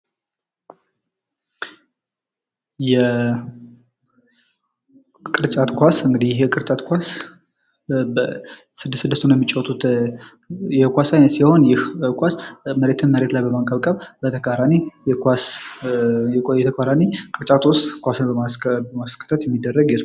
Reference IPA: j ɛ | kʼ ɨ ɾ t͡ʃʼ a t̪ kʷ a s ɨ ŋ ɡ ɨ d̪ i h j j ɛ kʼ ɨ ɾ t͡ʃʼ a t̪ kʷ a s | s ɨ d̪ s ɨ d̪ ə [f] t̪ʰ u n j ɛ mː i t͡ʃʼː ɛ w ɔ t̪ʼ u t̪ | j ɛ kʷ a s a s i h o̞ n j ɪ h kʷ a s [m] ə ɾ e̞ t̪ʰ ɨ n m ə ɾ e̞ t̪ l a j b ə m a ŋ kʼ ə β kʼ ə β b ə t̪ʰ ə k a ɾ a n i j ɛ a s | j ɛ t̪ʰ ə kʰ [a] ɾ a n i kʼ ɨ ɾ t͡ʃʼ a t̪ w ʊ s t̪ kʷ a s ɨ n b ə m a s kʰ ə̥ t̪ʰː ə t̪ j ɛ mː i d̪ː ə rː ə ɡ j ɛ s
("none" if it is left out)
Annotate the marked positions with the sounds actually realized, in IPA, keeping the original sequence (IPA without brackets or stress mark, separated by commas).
s, m, a